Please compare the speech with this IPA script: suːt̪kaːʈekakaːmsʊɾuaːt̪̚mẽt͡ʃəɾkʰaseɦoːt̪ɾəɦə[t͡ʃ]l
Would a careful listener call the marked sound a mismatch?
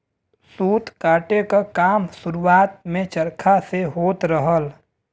yes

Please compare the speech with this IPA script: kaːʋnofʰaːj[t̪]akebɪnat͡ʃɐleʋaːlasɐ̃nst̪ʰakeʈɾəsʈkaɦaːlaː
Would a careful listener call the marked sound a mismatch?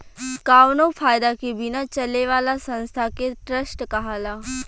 yes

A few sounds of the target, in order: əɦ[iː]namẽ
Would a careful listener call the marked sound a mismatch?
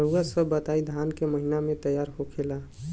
yes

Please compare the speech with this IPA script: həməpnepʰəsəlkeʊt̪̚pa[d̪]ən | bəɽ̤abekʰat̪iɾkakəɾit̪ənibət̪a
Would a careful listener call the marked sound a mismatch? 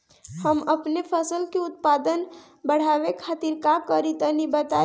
no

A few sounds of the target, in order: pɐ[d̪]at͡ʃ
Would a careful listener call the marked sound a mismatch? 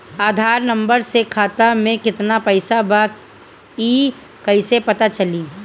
yes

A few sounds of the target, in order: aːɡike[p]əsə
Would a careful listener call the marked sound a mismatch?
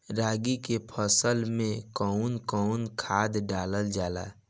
yes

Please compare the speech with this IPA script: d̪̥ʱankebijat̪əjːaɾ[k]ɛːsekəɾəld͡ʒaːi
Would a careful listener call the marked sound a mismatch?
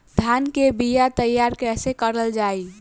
no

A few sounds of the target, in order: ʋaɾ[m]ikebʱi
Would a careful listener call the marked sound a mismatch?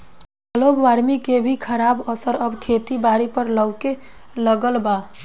no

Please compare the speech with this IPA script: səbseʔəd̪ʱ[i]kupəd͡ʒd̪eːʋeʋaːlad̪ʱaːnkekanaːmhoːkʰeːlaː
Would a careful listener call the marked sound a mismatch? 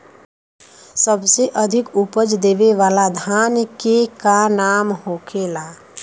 yes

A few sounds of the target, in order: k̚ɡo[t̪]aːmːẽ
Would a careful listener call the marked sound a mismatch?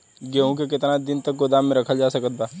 yes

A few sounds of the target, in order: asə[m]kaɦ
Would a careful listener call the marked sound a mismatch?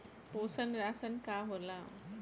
yes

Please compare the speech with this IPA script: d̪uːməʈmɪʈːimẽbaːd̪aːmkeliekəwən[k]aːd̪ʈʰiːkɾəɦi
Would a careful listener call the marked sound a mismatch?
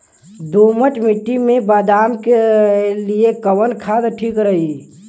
yes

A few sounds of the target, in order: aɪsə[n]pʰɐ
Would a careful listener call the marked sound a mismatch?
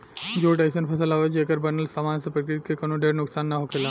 no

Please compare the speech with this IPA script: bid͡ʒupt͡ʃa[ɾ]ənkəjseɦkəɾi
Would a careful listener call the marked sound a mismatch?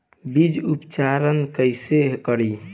no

